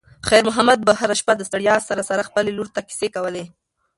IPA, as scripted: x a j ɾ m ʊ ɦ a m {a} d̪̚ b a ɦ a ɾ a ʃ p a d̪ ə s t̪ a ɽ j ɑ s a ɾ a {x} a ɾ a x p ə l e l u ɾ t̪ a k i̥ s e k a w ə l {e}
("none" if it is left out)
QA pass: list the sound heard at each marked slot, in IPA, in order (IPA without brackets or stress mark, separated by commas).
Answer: a, s, e